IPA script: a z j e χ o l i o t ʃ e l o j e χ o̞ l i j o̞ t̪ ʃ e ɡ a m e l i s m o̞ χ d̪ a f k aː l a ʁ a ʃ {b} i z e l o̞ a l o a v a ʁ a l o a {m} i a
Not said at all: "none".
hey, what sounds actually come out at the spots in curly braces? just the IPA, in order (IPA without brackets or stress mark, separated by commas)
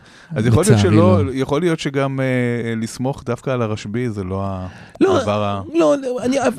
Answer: b, n